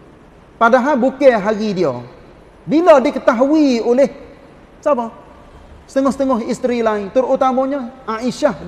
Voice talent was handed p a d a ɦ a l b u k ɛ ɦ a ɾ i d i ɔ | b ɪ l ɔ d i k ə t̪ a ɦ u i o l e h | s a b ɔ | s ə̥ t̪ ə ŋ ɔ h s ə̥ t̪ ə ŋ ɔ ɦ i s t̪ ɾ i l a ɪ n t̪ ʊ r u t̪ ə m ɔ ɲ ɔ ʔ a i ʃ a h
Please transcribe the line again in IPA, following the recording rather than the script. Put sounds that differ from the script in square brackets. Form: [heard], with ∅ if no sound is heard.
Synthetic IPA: p a d a ɦ a l b u k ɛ ɦ a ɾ i d i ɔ | b [i] l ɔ d i k ə t̪ a ɦ u i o l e h | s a b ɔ | s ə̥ t̪ ə ŋ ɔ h s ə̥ t̪ ə ŋ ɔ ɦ i s t̪ ɾ i l a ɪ n t̪ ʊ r u t̪ [a] m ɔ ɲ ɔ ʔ a i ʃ a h